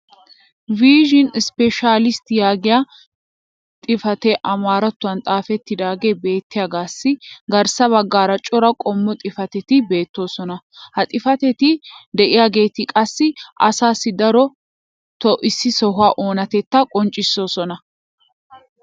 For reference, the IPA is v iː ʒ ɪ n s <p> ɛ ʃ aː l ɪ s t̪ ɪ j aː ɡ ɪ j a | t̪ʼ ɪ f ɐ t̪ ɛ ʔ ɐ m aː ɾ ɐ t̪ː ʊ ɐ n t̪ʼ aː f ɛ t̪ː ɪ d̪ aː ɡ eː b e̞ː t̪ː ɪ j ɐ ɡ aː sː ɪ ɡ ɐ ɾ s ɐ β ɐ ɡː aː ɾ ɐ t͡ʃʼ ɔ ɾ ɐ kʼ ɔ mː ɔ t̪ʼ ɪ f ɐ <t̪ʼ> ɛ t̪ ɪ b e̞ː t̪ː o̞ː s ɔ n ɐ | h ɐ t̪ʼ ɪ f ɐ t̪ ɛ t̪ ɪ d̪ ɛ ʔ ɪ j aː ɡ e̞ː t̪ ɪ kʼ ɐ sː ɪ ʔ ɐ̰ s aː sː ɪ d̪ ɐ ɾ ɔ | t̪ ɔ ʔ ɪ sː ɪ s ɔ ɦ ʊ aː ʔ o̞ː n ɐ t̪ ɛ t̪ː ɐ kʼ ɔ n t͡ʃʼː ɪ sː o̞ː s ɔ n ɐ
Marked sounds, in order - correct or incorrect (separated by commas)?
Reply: correct, incorrect